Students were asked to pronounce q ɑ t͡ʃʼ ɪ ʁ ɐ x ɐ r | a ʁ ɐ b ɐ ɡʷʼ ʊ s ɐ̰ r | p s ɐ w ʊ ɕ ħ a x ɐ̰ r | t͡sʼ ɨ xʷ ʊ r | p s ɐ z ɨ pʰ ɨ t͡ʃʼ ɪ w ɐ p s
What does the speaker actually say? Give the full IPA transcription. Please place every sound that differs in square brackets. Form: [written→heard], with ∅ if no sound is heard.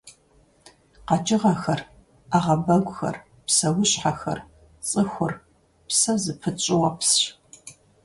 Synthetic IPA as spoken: q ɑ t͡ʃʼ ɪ ʁ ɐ x ɐ r | a ʁ ɐ b ɐ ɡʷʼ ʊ [s→x] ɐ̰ r | p s ɐ w ʊ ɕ ħ a x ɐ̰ r | t͡sʼ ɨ xʷ ʊ r | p s ɐ z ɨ pʰ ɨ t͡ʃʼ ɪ w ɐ p s